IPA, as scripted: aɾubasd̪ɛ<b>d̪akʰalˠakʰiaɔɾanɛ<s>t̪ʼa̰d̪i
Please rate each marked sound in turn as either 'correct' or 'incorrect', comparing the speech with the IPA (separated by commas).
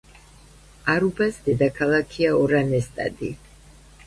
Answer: incorrect, correct